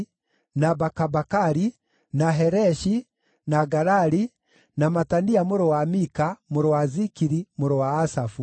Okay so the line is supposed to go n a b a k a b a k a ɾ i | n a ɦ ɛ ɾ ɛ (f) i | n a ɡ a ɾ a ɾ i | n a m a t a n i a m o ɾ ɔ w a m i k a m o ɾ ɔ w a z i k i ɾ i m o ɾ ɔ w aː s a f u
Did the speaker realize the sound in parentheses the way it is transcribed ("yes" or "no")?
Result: no